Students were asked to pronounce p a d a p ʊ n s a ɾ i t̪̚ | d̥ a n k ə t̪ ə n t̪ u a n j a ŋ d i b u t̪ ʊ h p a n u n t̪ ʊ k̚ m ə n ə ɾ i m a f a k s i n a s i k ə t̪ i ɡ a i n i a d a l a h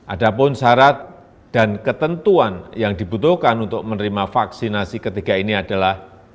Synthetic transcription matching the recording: ʔ a d a p ʊ n s a ɾ a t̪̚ | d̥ a n k ə t̪ ə n t̪ u a n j a ŋ d i b u t̪ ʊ h k a n u n t̪ ʊ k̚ m ə n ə ɾ i m a f a k s i n a s i k ə t̪ i ɡ a i n i a d a l a h